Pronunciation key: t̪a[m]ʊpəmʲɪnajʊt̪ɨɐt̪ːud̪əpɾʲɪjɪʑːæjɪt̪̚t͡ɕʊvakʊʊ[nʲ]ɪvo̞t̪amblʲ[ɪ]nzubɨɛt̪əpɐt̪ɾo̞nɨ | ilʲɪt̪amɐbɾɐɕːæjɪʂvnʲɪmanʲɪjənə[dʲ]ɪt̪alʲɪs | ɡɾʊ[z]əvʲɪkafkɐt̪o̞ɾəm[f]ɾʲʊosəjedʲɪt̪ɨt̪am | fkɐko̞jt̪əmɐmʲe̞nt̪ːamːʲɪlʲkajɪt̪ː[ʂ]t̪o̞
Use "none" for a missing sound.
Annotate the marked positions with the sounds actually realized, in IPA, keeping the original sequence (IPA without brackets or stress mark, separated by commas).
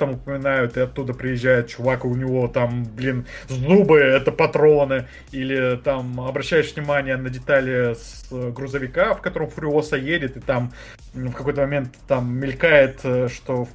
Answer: m, nʲ, i, dʲ, z, f, ʂ